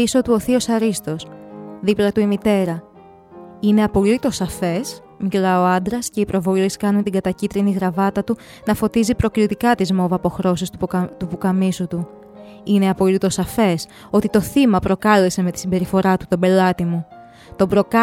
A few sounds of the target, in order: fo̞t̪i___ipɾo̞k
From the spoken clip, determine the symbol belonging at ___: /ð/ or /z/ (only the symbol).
z